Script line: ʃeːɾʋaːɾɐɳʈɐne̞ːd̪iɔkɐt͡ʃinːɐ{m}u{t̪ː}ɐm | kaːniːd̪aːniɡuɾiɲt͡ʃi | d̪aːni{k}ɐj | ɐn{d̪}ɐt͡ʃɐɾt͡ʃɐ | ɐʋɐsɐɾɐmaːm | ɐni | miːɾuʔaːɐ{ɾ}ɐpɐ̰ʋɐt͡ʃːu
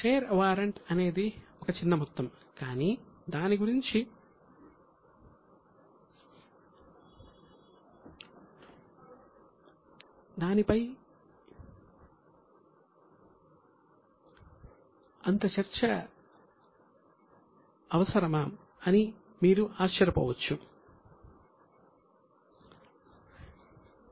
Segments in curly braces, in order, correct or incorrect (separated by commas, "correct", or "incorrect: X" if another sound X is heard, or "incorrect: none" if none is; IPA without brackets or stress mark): correct, correct, incorrect: p, incorrect: t̪, correct